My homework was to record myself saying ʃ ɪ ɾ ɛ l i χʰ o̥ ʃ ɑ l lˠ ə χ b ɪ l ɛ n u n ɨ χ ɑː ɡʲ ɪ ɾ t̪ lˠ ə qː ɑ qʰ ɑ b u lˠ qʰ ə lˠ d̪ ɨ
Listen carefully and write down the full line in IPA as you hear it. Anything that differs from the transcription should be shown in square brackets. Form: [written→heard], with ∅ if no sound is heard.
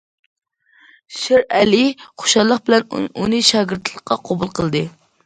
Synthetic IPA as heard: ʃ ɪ ɾ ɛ l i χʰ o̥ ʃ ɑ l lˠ ə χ b ɪ l ɛ n u n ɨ [χ→ʃ] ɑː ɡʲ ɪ ɾ t̪ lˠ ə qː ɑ qʰ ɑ b u lˠ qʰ ə lˠ d̪ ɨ